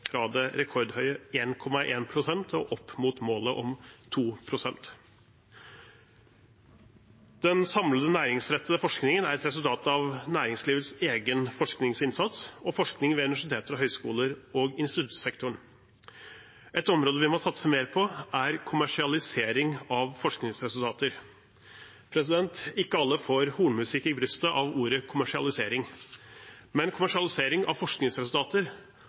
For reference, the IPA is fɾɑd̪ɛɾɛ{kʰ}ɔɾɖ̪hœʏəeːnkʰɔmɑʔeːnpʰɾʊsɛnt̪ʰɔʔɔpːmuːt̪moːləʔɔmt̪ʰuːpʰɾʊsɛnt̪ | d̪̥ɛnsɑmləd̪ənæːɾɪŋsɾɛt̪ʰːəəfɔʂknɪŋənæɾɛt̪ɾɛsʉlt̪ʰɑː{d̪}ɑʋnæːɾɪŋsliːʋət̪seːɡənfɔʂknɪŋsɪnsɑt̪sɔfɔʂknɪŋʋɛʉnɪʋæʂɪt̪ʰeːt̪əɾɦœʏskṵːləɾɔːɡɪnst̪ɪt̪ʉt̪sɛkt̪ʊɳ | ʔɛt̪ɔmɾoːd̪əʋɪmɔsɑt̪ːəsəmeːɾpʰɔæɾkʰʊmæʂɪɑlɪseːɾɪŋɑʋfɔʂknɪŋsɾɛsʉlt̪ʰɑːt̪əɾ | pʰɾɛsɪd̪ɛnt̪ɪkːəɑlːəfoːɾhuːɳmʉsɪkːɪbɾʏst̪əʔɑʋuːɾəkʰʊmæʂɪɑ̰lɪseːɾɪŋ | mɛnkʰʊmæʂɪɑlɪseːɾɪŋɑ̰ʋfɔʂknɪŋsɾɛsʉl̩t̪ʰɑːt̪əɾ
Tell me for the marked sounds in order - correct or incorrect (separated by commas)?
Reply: correct, incorrect